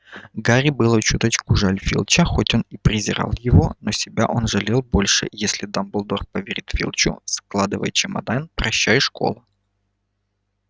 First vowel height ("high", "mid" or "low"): low